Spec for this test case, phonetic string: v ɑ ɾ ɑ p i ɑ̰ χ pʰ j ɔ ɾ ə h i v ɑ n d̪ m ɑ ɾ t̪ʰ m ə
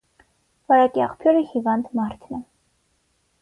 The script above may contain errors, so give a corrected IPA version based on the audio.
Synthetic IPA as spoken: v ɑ ɾ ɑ k i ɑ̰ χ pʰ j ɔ ɾ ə h i v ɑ n d̪ m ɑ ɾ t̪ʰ n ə